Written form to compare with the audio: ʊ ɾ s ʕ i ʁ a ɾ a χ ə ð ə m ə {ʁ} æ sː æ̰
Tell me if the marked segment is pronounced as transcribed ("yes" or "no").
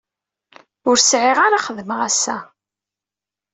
yes